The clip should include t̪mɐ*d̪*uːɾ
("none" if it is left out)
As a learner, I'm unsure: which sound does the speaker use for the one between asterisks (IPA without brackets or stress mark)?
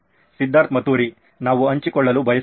t̪